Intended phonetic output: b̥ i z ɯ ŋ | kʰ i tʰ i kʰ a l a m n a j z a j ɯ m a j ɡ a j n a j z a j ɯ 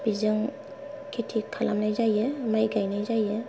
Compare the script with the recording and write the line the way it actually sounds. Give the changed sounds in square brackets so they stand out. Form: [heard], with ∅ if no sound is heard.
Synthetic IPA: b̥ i z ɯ ŋ | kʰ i tʰ i kʰ a l a m n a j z a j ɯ m a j ɡ a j n a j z a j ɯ